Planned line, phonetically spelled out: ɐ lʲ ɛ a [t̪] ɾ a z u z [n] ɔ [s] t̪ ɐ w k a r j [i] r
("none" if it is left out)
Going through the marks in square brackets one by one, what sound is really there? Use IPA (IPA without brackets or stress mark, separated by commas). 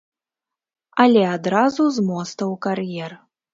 d̪, m, s, ɛ